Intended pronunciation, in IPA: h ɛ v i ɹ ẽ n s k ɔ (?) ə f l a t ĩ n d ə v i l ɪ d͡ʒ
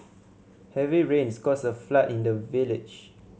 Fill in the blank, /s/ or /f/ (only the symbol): s